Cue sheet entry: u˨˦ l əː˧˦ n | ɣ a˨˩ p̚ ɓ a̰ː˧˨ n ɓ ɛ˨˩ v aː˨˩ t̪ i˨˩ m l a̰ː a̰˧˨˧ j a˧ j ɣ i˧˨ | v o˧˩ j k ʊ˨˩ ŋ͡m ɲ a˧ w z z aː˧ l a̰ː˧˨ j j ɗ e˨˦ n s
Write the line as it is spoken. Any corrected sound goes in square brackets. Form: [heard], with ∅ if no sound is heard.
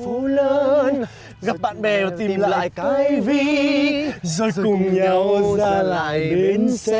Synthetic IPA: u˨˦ l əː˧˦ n | ɣ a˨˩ p̚ ɓ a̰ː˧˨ n ɓ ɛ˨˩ v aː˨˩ t̪ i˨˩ m l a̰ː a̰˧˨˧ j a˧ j [v] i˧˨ | [z] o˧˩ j k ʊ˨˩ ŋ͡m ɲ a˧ w z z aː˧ l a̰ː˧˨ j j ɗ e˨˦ n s